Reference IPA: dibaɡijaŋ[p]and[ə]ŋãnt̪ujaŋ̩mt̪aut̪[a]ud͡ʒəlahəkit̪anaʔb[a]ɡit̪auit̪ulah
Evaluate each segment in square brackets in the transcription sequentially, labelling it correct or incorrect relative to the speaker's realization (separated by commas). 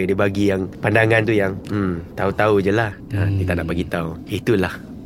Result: correct, incorrect, correct, correct